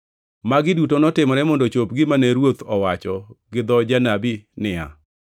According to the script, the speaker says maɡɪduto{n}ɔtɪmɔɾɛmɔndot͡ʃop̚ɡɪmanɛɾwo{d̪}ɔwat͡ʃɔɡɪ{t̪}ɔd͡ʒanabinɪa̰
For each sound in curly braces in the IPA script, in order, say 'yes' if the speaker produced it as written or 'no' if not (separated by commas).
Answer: yes, no, no